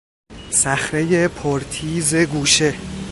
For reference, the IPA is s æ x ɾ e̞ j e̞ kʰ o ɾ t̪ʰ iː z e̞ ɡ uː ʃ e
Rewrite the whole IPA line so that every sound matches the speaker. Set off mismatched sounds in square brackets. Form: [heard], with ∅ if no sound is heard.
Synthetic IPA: s æ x ɾ e̞ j e̞ [pʰ] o ɾ t̪ʰ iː z e̞ ɡ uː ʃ e